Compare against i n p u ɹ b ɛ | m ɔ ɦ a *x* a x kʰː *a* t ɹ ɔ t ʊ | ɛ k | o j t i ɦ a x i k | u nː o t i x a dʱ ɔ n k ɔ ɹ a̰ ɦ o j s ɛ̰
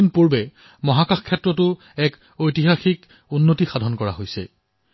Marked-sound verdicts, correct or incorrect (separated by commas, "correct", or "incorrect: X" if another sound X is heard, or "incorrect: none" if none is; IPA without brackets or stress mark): incorrect: k, incorrect: ɛ